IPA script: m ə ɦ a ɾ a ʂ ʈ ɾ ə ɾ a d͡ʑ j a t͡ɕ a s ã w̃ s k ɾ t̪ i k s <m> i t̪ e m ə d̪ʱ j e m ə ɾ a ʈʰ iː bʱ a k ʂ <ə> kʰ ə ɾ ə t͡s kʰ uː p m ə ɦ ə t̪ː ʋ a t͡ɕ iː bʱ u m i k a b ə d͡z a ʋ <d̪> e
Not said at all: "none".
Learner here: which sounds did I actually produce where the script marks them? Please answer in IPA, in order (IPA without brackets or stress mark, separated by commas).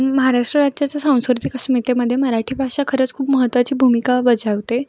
m, a, t̪